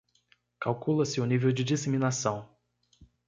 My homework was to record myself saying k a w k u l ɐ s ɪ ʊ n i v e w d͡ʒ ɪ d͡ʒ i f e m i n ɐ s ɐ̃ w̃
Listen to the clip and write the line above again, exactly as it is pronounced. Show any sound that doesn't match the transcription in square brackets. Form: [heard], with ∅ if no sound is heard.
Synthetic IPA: k a w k u l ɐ s ɪ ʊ n i v e w d͡ʒ ɪ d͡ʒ i [s] e m i n [a] s ɐ̃ w̃